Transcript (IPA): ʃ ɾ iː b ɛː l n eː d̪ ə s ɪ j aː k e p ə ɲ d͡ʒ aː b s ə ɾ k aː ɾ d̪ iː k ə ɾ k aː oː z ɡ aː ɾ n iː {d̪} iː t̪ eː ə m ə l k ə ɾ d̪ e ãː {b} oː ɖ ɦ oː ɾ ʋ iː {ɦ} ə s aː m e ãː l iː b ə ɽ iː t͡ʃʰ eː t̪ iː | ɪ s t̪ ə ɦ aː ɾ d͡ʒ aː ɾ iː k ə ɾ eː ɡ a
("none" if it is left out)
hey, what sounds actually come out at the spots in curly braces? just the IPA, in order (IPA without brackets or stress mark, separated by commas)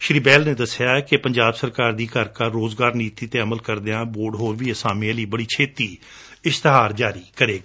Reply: t̪, b, none